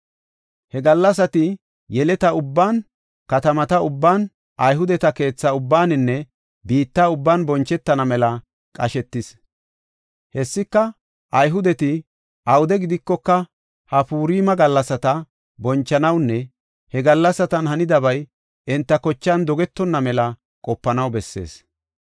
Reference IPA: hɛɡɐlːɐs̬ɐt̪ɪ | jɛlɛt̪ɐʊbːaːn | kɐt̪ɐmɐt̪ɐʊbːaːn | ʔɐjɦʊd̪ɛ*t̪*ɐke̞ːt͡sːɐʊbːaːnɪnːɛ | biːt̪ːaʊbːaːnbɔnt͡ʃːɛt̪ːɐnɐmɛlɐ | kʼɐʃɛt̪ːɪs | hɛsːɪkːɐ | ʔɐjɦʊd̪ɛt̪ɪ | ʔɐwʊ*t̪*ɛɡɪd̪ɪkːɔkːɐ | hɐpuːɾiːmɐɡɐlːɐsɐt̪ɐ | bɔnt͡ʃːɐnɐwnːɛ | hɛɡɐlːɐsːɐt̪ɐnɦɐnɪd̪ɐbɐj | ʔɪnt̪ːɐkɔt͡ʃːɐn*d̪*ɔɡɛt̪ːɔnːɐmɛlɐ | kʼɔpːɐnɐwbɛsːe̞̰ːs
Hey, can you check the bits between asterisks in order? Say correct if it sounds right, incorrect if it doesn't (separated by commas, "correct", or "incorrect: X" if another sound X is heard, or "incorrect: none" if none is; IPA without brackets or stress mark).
correct, incorrect: d̪, correct